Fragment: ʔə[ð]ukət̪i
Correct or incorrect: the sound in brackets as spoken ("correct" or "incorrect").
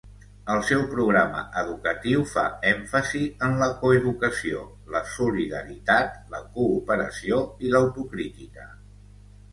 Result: correct